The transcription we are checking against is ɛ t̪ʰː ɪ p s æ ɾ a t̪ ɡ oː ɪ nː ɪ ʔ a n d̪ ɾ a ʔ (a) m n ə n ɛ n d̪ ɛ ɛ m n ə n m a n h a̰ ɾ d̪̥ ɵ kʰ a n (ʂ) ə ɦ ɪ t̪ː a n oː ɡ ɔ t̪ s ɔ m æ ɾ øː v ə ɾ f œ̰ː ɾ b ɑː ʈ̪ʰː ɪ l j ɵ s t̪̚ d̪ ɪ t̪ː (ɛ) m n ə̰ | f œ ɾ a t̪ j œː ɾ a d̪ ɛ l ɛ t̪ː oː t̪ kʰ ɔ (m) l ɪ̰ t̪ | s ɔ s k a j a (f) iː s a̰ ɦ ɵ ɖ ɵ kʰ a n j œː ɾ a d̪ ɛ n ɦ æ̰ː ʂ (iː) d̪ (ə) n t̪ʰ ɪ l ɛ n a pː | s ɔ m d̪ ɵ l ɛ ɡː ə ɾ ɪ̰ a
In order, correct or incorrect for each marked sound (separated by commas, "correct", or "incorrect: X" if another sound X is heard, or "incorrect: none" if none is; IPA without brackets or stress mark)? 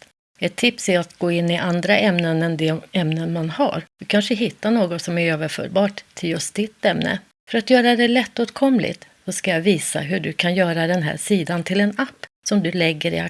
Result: incorrect: ɛ, correct, correct, correct, incorrect: v, correct, incorrect: a